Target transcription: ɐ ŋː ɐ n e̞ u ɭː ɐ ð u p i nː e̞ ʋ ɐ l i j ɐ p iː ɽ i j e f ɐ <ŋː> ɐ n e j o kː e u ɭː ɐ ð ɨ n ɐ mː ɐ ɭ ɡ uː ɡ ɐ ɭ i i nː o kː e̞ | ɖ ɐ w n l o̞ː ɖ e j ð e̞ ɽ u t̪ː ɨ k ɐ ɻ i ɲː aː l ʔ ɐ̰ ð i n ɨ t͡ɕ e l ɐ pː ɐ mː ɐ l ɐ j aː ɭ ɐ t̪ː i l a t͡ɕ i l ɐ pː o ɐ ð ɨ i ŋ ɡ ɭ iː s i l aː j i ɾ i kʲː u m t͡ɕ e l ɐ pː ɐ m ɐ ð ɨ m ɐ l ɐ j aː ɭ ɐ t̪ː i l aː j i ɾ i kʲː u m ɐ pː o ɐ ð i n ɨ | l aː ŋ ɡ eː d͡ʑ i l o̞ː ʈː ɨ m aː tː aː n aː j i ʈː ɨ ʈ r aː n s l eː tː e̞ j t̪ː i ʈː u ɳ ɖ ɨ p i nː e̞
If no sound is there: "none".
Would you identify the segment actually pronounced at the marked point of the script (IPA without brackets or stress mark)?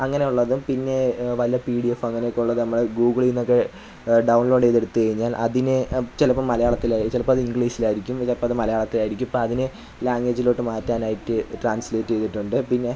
ŋː